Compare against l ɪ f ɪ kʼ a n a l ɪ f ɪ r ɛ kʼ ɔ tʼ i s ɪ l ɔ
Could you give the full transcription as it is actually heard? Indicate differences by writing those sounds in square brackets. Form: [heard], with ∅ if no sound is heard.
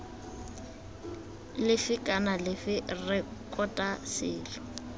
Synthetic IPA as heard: l ɪ f ɪ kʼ a n a l ɪ f ɪ r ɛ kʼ ɔ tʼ [a] s [ɪː] l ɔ